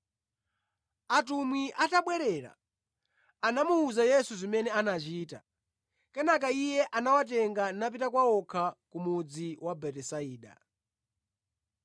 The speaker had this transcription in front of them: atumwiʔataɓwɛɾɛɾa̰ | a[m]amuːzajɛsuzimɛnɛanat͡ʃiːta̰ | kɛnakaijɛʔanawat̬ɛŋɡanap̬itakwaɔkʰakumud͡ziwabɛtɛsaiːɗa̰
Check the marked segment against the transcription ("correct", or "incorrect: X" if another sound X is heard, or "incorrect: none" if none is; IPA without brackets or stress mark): incorrect: n